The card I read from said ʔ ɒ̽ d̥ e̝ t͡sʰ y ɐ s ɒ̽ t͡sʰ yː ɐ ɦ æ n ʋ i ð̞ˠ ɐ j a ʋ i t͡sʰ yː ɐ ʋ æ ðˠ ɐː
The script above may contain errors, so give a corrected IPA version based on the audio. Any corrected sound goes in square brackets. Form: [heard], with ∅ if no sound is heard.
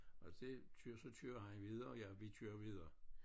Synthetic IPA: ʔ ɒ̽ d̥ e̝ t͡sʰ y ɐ s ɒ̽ t͡sʰ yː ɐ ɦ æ n ʋ i ð̞ˠ ɐ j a ʋ i t͡sʰ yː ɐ ʋ [i] ðˠ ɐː